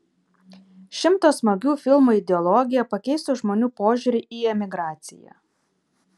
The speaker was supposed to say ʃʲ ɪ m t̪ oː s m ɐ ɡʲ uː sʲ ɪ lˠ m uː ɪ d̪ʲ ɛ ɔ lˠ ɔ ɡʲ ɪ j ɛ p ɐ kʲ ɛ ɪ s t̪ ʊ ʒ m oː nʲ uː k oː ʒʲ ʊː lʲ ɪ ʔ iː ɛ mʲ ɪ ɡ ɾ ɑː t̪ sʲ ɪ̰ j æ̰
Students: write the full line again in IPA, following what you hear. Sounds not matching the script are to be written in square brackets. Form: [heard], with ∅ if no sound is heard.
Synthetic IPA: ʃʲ ɪ m t̪ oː s m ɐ ɡʲ uː [fʲ] ɪ lˠ m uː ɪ d̪ʲ ɛ ɔ lˠ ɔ ɡʲ ɪ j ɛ p ɐ kʲ ɛ ɪ s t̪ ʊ ʒ m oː nʲ uː [p] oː ʒʲ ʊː [ɾʲ] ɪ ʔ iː ɛ mʲ ɪ ɡ ɾ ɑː t̪ sʲ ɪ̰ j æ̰